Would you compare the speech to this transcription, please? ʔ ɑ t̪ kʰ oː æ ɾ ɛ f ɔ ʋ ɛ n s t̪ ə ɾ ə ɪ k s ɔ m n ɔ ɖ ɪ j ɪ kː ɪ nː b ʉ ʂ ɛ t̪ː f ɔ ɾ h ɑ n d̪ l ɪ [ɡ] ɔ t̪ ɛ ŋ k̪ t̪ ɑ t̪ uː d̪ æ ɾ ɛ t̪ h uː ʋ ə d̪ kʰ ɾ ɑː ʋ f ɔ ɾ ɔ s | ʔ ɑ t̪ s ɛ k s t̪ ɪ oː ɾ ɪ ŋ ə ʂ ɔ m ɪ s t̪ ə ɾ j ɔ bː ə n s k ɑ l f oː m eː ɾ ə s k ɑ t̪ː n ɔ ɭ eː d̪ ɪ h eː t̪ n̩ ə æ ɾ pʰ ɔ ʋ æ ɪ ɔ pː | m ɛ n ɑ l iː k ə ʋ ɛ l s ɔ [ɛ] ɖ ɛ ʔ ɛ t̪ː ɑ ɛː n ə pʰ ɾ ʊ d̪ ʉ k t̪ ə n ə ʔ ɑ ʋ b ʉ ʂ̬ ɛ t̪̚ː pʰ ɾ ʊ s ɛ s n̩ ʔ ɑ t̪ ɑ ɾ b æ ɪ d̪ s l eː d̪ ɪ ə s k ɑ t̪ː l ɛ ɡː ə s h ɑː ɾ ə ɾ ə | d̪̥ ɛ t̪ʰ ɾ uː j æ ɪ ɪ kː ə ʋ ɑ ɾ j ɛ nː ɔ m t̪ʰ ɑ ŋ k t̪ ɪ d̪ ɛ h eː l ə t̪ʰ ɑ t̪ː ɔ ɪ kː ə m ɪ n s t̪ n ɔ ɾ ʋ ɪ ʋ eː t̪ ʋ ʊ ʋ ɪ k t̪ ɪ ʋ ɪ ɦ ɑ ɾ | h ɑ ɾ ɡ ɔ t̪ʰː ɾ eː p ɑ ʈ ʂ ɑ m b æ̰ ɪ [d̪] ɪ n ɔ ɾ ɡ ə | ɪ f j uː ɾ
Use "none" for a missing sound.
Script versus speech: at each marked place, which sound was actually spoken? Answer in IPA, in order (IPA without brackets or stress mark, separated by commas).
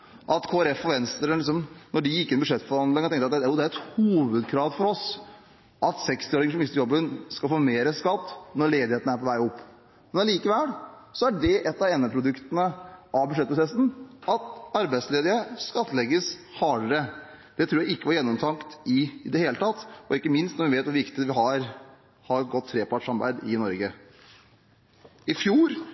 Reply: ŋ, æ, d̪